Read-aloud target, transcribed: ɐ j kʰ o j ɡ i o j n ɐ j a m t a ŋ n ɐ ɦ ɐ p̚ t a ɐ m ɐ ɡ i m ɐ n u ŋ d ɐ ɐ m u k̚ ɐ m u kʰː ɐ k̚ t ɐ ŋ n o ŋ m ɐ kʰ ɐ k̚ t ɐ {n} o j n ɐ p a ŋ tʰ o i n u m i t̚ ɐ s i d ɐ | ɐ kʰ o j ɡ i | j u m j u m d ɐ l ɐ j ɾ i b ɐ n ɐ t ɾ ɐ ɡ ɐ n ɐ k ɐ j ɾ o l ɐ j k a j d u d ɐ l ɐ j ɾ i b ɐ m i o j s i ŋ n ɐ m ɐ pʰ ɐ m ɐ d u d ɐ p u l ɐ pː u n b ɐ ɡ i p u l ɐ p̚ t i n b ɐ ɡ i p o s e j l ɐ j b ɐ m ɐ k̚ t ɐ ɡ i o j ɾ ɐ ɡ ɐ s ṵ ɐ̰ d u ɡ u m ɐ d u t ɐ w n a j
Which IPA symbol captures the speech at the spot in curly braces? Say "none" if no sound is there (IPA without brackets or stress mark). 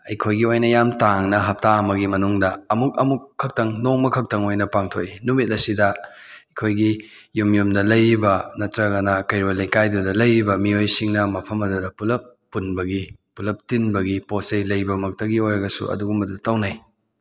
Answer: ŋ